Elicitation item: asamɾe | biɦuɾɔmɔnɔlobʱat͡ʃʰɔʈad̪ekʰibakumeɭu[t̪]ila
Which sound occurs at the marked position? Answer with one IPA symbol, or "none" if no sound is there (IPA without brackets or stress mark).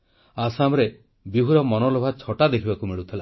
t̪ʰ